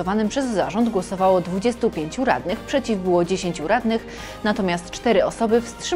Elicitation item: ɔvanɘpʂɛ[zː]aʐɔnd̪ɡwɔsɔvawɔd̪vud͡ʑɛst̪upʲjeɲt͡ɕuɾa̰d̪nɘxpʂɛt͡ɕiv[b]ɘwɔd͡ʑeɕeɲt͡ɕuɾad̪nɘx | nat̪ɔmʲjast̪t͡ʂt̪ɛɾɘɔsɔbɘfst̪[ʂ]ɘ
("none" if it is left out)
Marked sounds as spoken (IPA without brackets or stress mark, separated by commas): zː, b, ʂ